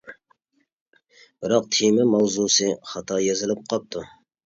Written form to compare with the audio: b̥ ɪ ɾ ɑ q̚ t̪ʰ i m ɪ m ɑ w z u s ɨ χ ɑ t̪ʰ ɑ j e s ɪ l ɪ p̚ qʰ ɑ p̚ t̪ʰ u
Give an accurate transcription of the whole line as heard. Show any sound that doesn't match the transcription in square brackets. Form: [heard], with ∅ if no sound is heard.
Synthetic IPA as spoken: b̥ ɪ ɾ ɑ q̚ t̪ʰ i m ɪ m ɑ w z u s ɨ χ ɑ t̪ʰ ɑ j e [z] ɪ l ɪ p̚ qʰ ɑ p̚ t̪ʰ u